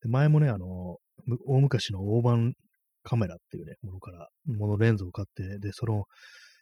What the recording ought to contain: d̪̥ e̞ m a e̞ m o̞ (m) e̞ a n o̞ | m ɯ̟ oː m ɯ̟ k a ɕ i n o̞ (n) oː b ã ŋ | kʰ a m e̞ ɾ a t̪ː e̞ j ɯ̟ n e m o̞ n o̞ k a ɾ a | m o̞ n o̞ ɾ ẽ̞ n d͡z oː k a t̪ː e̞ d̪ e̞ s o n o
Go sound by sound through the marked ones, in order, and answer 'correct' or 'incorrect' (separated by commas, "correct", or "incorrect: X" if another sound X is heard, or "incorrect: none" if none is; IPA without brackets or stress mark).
incorrect: n, incorrect: none